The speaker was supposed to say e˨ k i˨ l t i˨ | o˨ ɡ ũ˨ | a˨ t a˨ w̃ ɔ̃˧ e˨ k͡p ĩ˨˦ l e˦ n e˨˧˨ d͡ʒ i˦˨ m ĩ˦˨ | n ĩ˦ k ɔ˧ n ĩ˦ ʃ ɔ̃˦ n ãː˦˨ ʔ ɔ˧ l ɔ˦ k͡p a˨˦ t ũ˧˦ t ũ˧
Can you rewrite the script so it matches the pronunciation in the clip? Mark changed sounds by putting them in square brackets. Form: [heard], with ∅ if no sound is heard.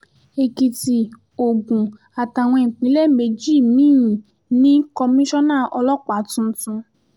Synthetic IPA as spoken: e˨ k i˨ [∅] t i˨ | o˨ ɡ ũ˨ | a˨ t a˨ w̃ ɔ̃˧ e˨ k͡p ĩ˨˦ l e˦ [m] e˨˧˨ d͡ʒ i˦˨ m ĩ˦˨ | n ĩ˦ k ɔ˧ [m] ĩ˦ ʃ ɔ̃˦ n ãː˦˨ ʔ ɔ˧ l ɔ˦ k͡p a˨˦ t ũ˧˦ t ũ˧